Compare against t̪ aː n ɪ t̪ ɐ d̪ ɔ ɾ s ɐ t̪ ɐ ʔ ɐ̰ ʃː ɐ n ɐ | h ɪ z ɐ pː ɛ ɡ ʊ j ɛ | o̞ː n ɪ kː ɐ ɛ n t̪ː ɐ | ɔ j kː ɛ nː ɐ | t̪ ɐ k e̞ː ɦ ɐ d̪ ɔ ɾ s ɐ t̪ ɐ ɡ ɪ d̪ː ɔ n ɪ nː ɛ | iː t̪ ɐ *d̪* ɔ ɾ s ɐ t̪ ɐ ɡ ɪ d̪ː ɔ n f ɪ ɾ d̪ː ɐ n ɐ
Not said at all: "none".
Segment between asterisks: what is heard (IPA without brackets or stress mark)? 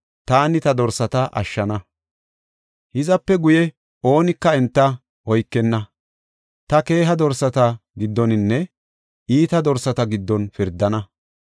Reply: d̪